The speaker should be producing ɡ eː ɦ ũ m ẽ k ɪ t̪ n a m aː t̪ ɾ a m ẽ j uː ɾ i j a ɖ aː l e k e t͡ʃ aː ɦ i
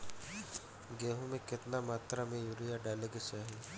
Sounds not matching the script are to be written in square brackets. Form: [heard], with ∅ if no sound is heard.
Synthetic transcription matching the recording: ɡ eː ɦ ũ m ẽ k ɪ t̪ n a m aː t̪ ɾ a m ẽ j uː ɾ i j a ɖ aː l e [ɡ] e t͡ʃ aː ɦ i